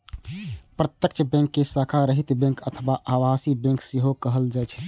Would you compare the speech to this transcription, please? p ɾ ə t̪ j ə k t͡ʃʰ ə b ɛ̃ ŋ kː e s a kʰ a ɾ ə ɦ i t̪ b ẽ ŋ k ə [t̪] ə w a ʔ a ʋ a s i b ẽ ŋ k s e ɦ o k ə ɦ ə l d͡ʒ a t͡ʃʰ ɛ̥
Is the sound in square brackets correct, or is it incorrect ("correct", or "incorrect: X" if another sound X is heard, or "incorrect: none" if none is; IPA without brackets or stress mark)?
incorrect: t̪ʰ